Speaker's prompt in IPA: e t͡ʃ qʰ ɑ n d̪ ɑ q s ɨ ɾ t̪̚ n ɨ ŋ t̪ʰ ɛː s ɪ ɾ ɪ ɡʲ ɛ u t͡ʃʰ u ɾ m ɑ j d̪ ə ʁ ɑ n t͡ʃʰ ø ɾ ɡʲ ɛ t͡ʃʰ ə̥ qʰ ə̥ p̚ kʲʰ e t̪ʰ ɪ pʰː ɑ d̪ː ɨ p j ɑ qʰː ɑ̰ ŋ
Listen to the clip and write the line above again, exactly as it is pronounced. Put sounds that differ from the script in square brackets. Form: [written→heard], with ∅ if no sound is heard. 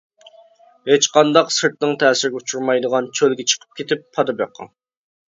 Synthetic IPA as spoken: e t͡ʃ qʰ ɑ n d̪ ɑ q s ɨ ɾ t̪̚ n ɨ ŋ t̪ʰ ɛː s ɪ ɾ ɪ ɡʲ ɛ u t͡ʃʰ u ɾ m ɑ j d̪ ə ʁ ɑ n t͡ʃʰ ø [ɾ→l] ɡʲ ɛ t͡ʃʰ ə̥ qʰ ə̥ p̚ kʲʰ e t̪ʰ ɪ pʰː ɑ [d̪ː→d̪] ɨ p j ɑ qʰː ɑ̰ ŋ